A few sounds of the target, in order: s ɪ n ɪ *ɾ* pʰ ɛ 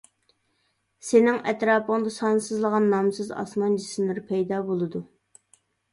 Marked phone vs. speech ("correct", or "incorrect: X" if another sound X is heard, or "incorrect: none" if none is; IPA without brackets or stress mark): correct